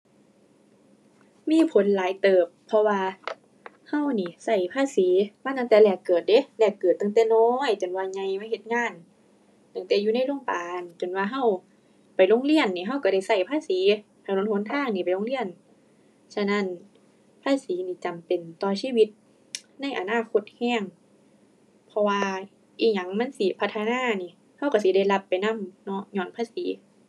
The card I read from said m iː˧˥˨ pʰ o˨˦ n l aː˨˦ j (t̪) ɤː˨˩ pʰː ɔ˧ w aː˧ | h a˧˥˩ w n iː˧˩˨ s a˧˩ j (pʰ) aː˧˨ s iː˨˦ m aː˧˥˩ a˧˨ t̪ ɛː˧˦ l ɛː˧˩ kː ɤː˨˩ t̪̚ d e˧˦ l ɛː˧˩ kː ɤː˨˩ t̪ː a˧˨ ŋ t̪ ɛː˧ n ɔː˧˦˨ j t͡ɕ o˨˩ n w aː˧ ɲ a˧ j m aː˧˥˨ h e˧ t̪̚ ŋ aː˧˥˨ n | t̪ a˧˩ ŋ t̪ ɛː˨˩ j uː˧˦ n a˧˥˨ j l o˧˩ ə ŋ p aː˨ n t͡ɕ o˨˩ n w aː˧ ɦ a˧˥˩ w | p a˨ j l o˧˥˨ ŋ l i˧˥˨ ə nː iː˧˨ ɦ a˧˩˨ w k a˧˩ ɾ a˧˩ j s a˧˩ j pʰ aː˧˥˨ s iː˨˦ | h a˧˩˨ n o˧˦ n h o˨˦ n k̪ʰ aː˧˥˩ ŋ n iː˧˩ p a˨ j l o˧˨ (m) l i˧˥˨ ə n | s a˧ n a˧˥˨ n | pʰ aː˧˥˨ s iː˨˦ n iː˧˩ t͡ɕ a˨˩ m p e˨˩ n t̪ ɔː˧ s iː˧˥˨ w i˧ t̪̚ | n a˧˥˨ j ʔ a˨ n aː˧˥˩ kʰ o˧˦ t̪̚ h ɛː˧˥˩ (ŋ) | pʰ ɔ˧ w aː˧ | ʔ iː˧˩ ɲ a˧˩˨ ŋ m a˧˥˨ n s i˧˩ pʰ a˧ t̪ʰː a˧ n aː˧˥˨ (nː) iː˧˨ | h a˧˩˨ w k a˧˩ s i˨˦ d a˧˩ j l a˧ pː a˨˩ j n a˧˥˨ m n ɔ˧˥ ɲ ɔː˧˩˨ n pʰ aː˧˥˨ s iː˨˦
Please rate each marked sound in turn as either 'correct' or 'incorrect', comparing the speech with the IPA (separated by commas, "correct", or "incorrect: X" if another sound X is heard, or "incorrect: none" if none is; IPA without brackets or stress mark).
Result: correct, correct, incorrect: ŋ, correct, incorrect: n